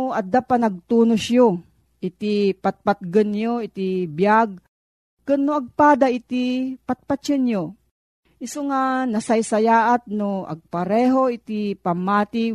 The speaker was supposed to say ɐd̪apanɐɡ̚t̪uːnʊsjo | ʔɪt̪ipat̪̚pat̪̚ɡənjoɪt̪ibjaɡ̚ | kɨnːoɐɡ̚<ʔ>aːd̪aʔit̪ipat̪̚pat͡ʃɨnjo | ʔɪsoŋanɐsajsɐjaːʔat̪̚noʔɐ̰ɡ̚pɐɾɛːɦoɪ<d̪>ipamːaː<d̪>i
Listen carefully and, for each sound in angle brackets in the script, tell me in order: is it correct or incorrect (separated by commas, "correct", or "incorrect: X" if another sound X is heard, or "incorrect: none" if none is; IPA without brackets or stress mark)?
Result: incorrect: p, incorrect: t̪, incorrect: t̪